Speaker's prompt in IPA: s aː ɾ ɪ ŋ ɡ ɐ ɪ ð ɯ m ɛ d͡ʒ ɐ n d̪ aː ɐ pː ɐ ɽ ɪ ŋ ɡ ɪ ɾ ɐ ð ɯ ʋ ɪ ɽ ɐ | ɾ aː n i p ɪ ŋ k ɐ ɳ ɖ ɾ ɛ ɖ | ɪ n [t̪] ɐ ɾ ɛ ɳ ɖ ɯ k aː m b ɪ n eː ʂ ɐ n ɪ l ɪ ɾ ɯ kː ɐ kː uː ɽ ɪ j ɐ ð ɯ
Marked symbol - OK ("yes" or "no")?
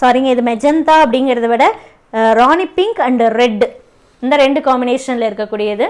no